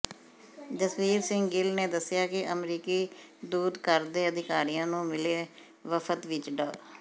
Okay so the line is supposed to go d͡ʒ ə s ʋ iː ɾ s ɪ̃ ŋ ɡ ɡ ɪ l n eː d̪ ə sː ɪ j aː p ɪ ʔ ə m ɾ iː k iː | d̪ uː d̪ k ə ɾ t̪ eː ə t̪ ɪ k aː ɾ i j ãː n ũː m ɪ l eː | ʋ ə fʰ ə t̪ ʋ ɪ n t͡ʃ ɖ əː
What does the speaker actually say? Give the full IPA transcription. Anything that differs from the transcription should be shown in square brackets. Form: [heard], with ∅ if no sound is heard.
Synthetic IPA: d͡ʒ ə s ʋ iː ɾ s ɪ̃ ŋ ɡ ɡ ɪ l n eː d̪ ə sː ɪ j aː [k] ɪ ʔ ə m ɾ iː k iː | d̪ uː d̪ k ə ɾ [d̪] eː ə [d̪] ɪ k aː ɾ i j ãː n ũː m ɪ l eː | ʋ ə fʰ ə t̪ ʋ ɪ [∅] t͡ʃ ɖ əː